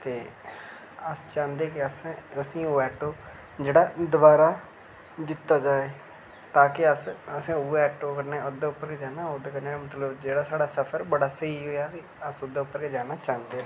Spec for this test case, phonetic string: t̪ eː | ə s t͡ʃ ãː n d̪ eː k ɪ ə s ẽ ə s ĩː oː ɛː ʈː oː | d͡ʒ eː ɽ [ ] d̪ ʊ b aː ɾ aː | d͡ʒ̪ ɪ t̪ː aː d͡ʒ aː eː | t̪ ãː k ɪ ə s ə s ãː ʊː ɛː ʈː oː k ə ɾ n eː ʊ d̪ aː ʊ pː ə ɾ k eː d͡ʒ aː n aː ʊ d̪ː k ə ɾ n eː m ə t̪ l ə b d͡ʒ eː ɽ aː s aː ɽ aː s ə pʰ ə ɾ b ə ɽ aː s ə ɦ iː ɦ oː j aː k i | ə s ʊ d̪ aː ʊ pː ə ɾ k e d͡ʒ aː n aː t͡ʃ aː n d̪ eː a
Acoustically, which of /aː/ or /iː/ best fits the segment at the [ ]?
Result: aː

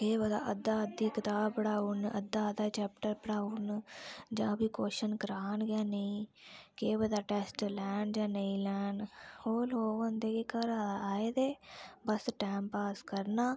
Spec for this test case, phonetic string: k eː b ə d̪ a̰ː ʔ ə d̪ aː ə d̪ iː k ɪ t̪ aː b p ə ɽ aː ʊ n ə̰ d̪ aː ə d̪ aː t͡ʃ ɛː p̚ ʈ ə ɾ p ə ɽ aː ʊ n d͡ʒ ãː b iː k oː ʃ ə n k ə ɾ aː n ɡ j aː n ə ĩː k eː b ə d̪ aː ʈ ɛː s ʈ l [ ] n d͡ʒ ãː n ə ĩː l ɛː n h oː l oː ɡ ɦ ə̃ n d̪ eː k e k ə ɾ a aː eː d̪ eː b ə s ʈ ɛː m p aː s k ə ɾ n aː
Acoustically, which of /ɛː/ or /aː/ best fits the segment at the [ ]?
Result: ɛː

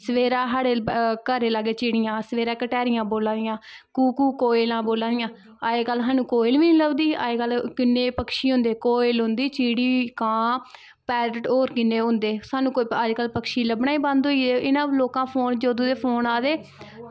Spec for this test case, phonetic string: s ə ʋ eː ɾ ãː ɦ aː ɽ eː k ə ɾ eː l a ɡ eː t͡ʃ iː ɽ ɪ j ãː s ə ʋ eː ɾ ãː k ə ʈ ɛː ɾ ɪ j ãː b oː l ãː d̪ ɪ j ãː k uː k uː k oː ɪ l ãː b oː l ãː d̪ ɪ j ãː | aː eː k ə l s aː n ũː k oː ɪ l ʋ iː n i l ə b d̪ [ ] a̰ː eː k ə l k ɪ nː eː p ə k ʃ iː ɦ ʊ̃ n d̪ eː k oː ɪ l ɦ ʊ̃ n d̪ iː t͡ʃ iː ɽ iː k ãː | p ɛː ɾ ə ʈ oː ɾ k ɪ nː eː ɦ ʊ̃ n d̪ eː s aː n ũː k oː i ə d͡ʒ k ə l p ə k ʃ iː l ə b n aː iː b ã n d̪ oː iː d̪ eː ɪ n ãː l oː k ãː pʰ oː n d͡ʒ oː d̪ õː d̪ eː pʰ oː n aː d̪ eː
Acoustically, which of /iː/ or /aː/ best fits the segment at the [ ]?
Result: iː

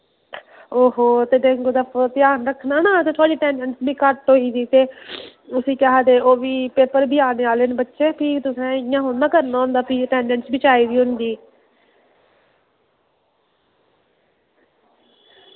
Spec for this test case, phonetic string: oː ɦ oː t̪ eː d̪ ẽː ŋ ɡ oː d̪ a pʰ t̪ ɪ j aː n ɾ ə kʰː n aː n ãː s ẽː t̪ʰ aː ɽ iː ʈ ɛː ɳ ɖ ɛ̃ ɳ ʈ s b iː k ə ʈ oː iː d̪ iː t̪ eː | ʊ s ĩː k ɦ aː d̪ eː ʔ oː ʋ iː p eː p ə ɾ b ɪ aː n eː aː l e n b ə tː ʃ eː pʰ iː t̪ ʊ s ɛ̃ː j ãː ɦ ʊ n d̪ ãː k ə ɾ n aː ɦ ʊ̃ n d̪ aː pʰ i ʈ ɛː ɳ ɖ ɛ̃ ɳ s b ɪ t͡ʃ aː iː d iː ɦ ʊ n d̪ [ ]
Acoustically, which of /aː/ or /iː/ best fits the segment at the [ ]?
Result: iː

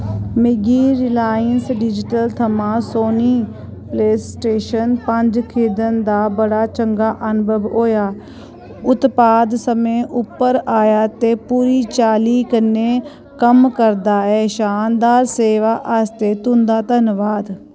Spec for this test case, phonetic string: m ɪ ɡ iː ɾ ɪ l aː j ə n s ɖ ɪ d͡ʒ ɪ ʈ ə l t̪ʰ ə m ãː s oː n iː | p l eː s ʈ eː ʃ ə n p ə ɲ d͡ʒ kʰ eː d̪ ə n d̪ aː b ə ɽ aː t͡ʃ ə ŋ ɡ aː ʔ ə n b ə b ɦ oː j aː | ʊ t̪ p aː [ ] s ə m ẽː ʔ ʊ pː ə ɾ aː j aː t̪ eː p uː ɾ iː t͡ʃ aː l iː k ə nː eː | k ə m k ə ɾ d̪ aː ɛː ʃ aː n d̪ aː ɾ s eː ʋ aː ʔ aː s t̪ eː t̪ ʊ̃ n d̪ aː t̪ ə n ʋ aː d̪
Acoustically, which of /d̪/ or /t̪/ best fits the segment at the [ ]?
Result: d̪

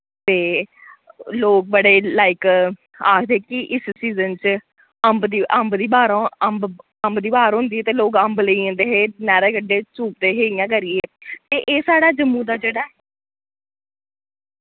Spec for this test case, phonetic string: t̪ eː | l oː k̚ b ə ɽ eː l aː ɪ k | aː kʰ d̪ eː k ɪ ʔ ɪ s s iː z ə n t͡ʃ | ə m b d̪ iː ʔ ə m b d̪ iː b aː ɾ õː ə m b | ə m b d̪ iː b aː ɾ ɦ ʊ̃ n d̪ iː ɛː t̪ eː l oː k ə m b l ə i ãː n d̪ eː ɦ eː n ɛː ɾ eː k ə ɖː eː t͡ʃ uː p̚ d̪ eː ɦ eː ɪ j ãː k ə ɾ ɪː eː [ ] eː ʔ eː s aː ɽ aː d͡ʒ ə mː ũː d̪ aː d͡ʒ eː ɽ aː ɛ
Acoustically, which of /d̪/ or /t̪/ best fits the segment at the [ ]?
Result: t̪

